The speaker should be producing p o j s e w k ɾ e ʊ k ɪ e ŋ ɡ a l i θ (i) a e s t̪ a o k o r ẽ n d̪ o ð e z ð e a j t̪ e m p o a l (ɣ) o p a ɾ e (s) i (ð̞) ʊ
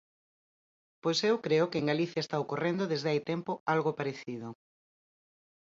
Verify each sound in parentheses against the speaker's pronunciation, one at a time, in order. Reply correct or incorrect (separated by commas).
incorrect, correct, incorrect, correct